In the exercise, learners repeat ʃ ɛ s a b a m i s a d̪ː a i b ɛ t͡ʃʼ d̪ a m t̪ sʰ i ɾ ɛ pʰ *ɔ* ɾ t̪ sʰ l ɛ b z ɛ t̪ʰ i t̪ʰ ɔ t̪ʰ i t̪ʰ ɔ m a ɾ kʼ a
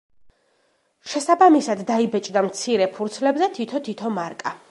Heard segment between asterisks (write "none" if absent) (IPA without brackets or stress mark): u